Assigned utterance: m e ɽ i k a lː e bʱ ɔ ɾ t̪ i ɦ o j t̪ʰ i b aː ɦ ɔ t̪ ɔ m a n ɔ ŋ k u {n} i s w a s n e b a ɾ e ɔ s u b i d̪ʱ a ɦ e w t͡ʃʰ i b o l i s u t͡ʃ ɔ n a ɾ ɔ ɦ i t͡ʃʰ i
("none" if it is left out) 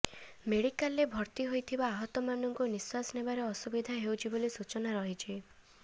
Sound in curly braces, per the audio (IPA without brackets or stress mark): n